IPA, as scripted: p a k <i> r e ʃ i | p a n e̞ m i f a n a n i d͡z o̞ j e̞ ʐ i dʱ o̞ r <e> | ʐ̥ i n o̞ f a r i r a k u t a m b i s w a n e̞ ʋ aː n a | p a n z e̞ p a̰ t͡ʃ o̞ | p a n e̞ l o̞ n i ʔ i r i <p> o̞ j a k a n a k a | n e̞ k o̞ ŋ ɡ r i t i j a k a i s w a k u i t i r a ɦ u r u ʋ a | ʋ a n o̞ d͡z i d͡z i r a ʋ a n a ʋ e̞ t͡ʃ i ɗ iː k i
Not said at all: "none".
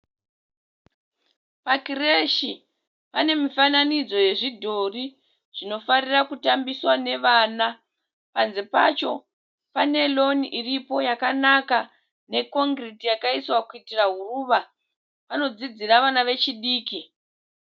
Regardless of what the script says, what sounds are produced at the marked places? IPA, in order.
i, i, p

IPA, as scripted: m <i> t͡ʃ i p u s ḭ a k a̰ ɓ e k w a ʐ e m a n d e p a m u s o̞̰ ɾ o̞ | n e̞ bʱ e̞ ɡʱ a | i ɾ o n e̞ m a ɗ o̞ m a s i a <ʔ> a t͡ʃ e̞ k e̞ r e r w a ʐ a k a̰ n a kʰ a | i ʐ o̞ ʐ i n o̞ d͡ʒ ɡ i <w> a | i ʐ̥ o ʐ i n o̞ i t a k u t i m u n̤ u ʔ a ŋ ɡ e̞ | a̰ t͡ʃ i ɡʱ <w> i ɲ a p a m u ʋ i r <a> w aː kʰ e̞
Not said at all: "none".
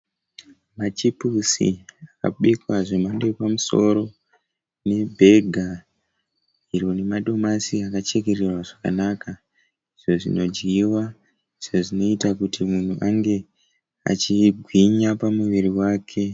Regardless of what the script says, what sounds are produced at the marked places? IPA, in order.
a, k, w, w, i

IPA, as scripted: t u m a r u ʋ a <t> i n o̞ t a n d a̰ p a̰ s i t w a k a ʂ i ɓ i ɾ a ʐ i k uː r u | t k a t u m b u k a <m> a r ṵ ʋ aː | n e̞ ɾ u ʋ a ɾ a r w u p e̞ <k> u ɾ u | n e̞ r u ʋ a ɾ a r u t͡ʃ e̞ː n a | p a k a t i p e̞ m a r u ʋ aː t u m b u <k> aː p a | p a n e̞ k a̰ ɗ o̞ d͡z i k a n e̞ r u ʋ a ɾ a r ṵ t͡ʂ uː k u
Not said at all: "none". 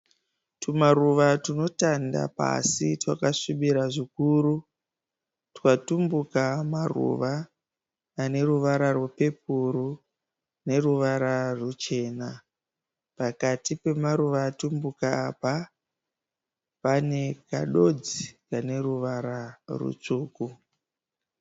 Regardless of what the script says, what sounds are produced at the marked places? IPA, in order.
t, m, p, k

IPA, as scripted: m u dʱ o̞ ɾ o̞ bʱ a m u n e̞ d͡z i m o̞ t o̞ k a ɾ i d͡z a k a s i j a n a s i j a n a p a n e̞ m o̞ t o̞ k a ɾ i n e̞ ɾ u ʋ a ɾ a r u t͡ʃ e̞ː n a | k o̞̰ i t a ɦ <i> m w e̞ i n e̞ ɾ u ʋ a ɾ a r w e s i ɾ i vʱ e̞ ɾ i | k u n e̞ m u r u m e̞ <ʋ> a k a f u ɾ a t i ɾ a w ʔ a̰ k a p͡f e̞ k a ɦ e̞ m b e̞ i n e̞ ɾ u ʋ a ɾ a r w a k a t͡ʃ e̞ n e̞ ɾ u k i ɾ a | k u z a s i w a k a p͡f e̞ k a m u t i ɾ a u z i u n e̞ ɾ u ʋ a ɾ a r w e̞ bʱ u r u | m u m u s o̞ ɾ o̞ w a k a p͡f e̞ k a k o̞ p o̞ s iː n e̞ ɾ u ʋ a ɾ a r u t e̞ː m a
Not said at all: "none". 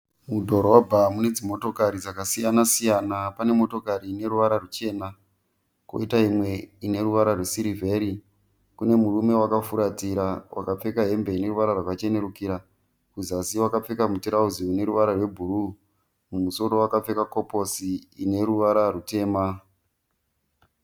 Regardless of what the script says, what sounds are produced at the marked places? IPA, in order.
i, w

